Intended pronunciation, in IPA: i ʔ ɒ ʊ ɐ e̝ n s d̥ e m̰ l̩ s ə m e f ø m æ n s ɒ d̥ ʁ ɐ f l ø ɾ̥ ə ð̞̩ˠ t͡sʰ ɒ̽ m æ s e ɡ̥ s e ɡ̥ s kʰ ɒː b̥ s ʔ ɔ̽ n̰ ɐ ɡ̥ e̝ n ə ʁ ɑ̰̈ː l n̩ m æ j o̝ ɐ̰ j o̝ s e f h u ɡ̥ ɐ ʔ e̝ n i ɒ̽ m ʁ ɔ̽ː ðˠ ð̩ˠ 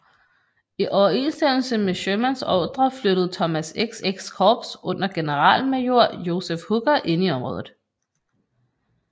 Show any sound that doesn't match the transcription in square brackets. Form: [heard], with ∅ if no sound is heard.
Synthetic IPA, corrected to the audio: i ʔ ɒ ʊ ɐ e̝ n s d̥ e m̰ l̩ s ə m e [ɕ] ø m æ n s ɒ d̥ ʁ ɐ f l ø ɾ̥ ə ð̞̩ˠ t͡sʰ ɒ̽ m æ s e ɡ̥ s e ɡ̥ s kʰ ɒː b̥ s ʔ ɔ̽ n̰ ɐ ɡ̥ e̝ n ə ʁ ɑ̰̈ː l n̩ m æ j o̝ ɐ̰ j o̝ s e f h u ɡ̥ ɐ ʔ e̝ n i ɒ̽ m ʁ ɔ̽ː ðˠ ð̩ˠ